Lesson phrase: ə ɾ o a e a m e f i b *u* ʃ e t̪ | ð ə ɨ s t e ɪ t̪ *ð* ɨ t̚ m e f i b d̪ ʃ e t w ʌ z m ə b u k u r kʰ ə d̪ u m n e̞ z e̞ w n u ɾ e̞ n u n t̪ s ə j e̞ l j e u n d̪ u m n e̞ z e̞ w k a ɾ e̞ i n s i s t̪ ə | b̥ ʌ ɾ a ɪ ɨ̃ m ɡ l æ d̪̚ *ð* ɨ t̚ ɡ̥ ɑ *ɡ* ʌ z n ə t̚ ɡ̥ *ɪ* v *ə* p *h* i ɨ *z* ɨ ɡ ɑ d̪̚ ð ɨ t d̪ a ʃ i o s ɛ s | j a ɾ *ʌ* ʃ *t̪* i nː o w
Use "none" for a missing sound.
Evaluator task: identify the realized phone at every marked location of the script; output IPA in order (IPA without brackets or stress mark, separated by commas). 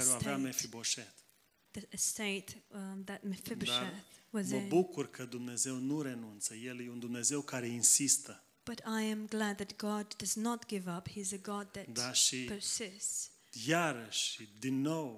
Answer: o, ð, ð, d, ɪ, ʌ, h, z, ə, d̪